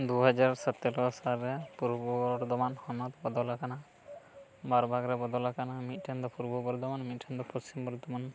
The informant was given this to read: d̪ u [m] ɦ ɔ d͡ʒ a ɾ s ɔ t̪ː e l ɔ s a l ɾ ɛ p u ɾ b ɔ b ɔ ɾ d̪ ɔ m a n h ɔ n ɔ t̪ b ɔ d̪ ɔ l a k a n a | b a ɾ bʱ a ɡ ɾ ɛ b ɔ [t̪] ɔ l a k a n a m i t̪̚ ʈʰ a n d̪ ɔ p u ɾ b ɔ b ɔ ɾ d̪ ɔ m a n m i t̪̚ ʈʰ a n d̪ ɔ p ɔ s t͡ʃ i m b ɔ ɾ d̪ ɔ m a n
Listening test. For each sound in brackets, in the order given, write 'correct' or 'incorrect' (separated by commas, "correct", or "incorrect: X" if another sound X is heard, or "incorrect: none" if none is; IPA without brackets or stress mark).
incorrect: none, incorrect: d̪